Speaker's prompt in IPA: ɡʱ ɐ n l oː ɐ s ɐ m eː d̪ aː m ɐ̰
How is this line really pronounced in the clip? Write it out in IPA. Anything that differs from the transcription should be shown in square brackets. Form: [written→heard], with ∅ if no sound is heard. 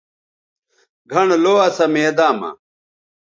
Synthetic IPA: ɡʱ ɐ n l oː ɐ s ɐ m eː d̪ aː m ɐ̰